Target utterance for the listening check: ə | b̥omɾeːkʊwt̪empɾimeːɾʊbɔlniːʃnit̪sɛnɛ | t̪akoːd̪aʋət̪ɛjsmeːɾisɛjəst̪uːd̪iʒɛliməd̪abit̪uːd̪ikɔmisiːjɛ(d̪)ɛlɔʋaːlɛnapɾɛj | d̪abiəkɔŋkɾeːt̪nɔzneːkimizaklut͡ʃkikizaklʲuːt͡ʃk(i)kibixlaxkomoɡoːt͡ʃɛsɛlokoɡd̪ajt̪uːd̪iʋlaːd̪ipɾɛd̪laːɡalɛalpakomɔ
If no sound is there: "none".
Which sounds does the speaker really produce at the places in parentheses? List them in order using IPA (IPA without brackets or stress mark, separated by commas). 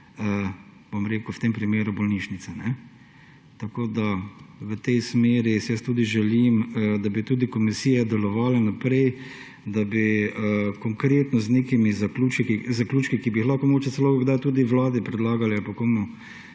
d̪, i